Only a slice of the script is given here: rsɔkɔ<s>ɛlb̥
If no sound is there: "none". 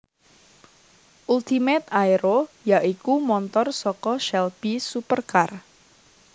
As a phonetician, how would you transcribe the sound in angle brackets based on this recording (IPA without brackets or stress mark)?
ʃ